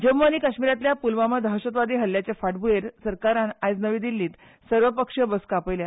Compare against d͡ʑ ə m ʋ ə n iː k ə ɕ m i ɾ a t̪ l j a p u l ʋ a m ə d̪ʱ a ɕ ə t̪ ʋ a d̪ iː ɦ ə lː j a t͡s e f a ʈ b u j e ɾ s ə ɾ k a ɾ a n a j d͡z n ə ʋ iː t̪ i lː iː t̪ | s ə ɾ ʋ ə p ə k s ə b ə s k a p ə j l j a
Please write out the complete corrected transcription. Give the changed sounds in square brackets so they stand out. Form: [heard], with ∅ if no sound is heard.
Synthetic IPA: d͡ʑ ə m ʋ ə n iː k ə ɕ m i ɾ a t̪ l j a p u l ʋ a m ə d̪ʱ a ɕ ə t̪ ʋ a d̪ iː ɦ ə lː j a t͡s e f a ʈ b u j e ɾ s ə ɾ k a ɾ a n a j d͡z n ə ʋ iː [d̪] i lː iː t̪ | s ə ɾ ʋ ə p ə k [ʂ] ə b ə s k a p ə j l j a